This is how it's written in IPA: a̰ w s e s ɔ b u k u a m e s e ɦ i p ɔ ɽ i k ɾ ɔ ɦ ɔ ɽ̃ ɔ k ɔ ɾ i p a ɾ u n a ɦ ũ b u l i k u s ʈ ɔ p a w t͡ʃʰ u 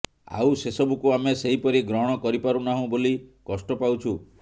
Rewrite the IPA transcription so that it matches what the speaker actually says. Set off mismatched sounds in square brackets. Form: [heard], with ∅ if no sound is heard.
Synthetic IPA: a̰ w s e s ɔ b u k u a m e s e ɦ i p ɔ [ɾ] i [ɡ] ɾ ɔ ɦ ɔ ɽ̃ ɔ k ɔ ɾ i p a ɾ u n a ɦ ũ b [o] l i k [ɔ] s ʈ ɔ p a w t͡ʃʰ u